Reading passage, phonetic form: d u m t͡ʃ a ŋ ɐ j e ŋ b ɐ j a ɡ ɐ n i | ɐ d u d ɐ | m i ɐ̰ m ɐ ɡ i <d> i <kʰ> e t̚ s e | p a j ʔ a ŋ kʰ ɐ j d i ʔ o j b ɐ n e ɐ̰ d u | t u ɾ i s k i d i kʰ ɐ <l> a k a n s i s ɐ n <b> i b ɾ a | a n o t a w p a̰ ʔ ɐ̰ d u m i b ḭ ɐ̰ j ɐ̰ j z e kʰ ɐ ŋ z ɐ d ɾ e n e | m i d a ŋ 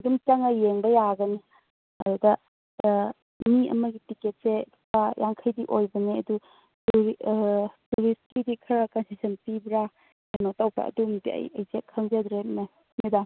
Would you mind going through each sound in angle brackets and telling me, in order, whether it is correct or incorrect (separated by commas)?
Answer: incorrect, incorrect, incorrect, incorrect